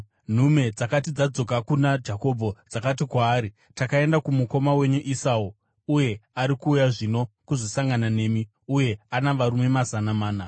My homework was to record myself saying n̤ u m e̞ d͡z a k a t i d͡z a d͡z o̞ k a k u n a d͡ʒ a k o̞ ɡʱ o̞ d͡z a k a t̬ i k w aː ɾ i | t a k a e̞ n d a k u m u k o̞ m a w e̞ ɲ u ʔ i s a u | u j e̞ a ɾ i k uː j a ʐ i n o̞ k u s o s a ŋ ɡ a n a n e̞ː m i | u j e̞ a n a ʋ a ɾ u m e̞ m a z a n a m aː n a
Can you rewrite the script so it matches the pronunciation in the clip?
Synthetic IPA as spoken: n̤ u m e̞ d͡z a k a t i d͡z a d͡z o̞ k a k u n a d͡ʒ a k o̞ bʱ o̞ d͡z a k a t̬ i k w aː ɾ i | t a k a e̞ n d a k u m u k o̞ m a w e̞ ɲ u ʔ i s a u | u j e̞ a ɾ i k uː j a ʐ i n o̞ k u z o s a ŋ ɡ a n a n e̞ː m i | u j e̞ a n a ʋ a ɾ u m e̞ m a z a n a m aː n a